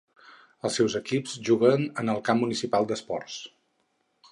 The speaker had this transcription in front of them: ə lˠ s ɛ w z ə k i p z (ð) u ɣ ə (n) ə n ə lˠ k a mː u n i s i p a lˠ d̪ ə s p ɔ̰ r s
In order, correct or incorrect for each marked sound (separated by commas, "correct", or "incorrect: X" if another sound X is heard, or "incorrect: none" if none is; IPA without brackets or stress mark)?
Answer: incorrect: ʒ, correct